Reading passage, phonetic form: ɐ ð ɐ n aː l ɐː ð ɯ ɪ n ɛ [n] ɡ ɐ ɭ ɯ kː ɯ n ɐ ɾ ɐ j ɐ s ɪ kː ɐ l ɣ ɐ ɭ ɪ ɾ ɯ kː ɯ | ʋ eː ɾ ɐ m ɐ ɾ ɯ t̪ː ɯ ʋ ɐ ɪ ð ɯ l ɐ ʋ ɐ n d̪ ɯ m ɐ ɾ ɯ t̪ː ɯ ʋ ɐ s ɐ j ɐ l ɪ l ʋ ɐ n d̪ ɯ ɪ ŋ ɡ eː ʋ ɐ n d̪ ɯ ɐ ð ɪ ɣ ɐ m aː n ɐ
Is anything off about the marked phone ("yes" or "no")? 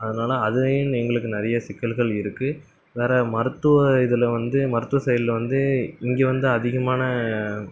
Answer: yes